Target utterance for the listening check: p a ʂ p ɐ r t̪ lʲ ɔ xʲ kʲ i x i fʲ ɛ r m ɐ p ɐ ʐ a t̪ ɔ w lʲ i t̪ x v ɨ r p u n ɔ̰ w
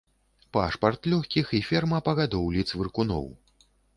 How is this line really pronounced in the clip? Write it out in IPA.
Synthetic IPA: p a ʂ p ɐ r t̪ lʲ ɔ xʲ kʲ i x i fʲ ɛ r m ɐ p ɐ ɣ a d̪ ɔ w lʲ i t̪ s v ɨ r k u n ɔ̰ w